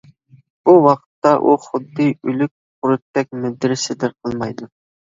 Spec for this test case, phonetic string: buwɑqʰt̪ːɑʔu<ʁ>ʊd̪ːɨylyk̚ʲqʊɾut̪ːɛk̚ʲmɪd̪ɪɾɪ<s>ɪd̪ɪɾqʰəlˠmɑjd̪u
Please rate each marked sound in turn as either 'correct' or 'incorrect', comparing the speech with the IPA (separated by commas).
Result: incorrect, correct